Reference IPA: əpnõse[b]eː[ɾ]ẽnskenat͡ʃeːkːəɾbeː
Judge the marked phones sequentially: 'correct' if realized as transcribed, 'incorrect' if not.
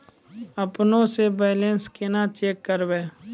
correct, incorrect

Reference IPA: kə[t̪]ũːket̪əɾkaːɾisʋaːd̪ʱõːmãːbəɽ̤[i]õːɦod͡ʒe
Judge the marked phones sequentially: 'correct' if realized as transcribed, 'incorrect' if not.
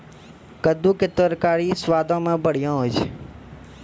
incorrect, incorrect

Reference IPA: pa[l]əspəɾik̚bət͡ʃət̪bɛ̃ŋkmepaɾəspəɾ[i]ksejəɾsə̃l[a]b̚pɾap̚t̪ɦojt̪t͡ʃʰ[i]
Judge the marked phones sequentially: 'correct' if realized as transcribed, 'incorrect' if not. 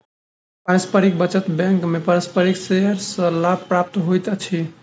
incorrect, correct, correct, correct

